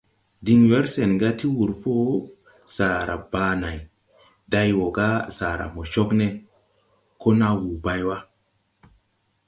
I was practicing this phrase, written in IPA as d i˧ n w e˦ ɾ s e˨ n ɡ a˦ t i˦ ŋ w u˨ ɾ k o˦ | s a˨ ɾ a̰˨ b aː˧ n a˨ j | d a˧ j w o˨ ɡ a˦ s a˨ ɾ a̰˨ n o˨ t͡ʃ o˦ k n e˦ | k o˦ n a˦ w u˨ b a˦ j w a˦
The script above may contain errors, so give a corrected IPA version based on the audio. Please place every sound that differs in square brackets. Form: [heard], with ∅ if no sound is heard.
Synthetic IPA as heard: d i˧ [ŋ] w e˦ ɾ s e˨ n ɡ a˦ t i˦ [∅] w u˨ ɾ [p] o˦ | s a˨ ɾ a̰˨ b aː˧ n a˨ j | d a˧ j w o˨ ɡ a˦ s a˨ ɾ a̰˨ [m] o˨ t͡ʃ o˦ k n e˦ | k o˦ n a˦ w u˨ b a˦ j w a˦